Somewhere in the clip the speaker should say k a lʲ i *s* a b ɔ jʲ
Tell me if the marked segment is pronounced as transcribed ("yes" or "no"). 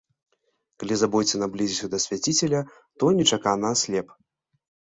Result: no